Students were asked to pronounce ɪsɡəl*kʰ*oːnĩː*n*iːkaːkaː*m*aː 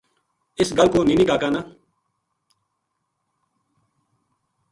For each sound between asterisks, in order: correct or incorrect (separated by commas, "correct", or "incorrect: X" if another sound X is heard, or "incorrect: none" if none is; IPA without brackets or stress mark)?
incorrect: k, correct, incorrect: n